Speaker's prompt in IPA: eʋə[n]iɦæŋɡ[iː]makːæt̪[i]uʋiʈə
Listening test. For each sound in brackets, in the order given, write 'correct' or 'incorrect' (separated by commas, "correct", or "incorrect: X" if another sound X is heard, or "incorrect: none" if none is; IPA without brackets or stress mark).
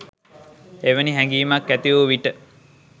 correct, correct, correct